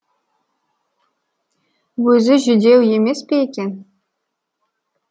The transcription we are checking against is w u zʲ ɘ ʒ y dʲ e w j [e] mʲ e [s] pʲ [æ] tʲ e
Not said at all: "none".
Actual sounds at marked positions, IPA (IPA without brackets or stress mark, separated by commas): e, s, e